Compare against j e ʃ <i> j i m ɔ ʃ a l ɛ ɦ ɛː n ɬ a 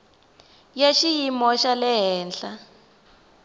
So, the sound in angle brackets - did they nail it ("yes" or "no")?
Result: yes